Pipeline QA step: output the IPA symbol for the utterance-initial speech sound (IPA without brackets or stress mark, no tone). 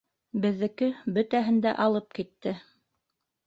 b